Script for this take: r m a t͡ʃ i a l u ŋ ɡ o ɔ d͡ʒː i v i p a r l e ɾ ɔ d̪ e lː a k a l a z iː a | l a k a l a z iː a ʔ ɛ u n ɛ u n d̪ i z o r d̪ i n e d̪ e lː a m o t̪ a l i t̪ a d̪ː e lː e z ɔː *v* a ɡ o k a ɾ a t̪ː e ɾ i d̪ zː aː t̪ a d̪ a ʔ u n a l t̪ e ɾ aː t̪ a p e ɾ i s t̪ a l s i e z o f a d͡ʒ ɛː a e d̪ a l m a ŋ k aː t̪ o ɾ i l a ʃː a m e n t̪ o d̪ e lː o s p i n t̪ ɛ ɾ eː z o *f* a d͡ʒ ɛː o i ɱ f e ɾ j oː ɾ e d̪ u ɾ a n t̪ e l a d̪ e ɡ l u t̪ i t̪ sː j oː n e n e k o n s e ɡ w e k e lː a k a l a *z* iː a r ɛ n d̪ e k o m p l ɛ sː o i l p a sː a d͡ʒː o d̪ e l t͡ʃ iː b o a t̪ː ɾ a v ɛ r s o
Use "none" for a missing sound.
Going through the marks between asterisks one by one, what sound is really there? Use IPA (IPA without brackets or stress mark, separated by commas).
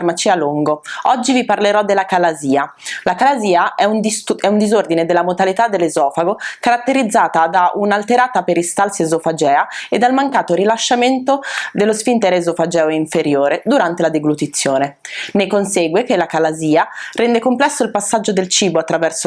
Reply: f, f, z